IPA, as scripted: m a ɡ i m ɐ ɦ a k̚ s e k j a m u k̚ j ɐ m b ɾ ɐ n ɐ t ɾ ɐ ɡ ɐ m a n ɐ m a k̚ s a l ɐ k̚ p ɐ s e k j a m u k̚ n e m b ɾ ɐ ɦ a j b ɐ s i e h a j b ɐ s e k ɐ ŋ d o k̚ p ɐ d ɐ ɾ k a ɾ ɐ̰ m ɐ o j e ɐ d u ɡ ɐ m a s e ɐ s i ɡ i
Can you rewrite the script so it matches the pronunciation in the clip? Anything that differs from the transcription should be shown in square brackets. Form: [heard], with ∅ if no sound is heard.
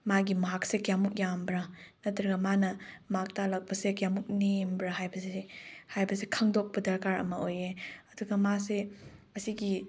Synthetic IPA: m a ɡ i m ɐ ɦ a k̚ s e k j a m u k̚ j [a] m b ɾ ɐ n ɐ t ɾ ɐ ɡ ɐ m a n ɐ m a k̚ [t] a l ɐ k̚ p ɐ s e k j a m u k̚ n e m b ɾ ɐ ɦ a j b ɐ s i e h a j b ɐ s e [kʰ] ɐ ŋ d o k̚ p ɐ d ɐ ɾ k a ɾ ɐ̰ m ɐ o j e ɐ d u ɡ ɐ m a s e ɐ s i ɡ i